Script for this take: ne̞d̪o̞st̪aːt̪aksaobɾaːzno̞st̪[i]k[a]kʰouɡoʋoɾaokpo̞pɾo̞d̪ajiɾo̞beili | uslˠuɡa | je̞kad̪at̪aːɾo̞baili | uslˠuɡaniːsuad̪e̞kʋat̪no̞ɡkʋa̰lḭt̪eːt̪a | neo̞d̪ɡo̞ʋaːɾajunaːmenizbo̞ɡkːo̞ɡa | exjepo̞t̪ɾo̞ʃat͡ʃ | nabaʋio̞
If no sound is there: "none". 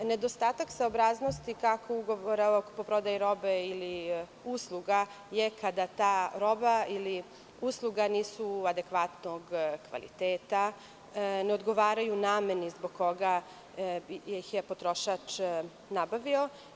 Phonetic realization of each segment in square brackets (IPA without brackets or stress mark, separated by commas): i, a